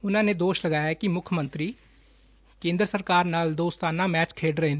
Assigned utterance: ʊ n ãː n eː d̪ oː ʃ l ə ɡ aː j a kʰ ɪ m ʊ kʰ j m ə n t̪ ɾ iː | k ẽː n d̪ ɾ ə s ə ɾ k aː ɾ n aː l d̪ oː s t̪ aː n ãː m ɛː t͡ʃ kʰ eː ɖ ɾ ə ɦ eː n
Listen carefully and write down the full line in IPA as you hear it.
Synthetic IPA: ʊ n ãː n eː d̪ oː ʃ l ə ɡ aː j a k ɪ m ʊ kʰ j m ə n t̪ ɾ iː | k ẽː n d̪ ɾ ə s ə ɾ k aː ɾ n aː l d̪ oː s t̪ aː n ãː m ɛː t͡ʃ kʰ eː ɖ ɾ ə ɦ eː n